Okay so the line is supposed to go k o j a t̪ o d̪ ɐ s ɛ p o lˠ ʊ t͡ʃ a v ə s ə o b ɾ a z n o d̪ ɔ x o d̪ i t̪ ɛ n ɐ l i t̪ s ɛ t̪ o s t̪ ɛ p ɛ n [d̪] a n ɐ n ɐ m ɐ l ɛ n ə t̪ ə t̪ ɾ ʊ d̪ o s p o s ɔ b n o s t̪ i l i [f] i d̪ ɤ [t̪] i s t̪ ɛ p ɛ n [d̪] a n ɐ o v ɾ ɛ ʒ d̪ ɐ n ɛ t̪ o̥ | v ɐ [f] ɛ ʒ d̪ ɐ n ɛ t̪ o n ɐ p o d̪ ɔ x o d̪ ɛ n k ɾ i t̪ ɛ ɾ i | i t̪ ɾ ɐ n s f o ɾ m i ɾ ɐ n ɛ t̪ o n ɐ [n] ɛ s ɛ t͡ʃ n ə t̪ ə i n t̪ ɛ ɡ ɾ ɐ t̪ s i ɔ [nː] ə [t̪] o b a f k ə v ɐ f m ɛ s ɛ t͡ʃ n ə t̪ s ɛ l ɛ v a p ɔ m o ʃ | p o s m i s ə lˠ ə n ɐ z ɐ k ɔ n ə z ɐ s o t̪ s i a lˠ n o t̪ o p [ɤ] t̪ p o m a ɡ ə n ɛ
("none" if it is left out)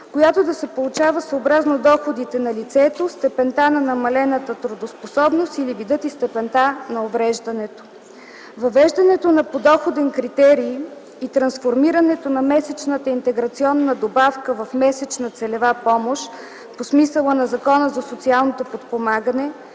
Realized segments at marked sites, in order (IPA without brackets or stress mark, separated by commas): t̪, v, t̪, t̪, v, m, nː, d̪, o